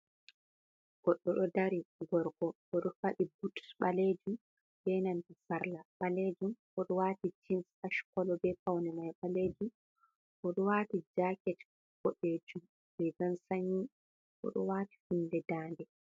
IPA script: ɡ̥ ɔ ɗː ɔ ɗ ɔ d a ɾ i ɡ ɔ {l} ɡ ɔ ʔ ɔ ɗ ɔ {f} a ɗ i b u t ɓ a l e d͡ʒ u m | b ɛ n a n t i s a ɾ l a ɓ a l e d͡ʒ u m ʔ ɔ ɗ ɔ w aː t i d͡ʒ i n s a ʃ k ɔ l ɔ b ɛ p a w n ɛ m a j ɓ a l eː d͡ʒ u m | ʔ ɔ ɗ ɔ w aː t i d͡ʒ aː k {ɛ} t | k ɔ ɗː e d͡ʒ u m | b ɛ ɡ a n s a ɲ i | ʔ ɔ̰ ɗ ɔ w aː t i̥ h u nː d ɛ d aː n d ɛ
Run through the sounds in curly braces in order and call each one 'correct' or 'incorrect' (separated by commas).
incorrect, correct, correct